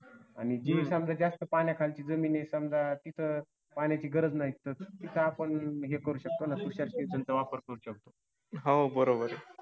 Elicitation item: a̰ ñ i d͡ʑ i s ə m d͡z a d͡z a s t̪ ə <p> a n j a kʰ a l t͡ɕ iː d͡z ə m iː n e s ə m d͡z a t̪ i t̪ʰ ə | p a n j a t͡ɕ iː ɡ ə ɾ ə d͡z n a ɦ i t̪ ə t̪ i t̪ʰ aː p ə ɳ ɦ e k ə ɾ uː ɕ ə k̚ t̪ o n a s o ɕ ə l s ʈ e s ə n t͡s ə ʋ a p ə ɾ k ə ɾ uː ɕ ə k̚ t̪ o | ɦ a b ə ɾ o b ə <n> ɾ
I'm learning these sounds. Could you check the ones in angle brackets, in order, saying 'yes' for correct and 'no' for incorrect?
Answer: yes, no

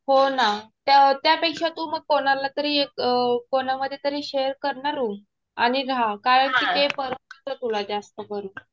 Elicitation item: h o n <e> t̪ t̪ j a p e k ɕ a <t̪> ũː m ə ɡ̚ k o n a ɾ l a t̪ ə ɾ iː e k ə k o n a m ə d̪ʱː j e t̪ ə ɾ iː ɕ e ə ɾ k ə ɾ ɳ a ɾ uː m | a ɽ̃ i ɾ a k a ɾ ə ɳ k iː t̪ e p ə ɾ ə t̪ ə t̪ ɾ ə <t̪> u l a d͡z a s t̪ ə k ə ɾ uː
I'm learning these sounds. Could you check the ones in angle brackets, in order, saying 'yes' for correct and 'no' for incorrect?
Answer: no, yes, yes

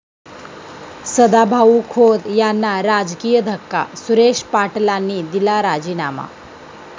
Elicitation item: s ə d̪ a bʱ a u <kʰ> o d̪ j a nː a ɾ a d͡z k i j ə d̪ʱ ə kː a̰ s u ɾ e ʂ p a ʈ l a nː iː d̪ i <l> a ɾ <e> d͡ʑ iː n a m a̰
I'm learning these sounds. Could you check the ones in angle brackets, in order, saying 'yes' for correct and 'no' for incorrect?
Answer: yes, yes, no

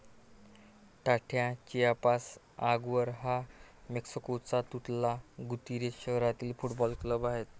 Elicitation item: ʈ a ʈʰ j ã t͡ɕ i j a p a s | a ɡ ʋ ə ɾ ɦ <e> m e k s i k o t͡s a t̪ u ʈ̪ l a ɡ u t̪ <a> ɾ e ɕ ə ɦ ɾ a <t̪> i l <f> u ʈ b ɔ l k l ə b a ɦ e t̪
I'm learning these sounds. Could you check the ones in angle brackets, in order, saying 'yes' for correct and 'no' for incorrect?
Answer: no, no, yes, yes

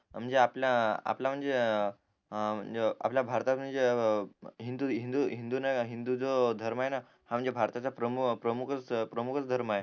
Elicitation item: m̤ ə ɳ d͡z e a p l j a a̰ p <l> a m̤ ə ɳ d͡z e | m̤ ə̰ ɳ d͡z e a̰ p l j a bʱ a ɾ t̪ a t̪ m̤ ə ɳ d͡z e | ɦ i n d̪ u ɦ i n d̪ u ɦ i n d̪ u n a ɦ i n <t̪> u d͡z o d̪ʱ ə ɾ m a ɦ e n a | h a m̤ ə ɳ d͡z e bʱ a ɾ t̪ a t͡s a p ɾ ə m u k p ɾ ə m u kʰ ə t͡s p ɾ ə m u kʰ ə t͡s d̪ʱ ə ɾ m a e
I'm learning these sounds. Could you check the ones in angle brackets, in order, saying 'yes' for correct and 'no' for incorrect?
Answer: yes, no

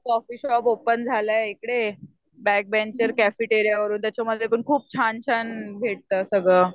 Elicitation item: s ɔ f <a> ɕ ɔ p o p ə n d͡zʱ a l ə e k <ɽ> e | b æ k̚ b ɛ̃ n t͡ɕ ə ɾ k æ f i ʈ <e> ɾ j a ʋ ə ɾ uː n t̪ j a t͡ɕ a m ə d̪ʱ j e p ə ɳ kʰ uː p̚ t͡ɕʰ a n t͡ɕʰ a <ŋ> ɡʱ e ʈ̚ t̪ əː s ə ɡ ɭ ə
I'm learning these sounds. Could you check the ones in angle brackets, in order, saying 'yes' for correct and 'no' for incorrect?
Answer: no, yes, yes, no

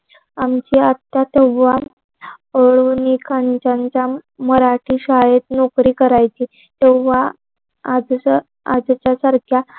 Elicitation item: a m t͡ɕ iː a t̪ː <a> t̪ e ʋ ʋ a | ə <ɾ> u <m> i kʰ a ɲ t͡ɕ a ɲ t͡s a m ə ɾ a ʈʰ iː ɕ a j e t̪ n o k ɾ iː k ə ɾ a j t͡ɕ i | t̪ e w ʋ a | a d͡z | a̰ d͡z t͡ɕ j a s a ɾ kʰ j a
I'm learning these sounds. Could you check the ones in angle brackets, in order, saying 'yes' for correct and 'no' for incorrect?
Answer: yes, no, no

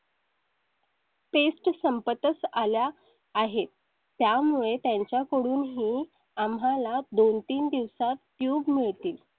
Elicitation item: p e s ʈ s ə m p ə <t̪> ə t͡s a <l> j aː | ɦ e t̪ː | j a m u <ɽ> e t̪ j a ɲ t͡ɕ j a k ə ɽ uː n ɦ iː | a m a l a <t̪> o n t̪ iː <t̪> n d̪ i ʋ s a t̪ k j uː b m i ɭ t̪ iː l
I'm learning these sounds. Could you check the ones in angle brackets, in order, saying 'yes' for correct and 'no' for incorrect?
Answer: yes, yes, no, no, no

